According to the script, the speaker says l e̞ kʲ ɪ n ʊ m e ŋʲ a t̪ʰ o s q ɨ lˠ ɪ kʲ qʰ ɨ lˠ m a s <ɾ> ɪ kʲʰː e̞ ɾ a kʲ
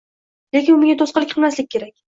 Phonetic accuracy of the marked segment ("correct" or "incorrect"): incorrect